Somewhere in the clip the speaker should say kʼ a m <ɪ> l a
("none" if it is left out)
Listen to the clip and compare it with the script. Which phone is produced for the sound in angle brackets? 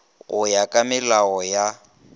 ɪ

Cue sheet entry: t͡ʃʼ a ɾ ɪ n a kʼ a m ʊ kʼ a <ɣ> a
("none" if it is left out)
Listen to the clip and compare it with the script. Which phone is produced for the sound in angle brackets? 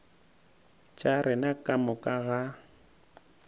ɣ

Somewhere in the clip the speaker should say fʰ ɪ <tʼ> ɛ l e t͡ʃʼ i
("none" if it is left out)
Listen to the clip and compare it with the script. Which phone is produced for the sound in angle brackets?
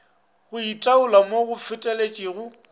tʼ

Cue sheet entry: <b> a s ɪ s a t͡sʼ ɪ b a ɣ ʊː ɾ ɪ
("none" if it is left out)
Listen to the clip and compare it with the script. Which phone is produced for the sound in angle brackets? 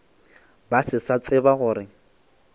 b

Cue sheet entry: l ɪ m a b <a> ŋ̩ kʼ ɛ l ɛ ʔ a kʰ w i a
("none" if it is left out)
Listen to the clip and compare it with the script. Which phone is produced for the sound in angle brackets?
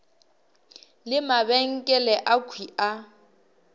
ɛ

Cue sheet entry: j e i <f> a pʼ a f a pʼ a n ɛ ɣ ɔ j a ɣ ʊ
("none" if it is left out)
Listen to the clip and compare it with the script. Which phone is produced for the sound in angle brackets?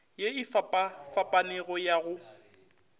f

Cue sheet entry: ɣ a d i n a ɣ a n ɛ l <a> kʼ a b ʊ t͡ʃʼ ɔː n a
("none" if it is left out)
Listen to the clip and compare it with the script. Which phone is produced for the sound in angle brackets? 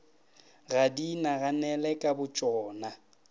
ɛ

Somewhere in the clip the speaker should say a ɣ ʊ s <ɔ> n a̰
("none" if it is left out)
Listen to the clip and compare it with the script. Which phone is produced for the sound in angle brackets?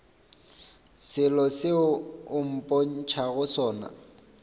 ɔː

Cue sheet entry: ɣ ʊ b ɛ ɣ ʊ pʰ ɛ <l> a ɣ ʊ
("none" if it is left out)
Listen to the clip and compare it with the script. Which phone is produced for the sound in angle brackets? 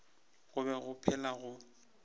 l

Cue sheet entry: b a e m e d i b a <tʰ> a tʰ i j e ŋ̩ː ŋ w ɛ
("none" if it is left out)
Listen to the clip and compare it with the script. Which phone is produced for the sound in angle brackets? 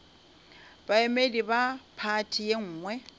pʰ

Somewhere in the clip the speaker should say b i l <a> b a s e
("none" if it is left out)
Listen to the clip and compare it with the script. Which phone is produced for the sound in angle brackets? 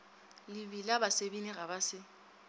a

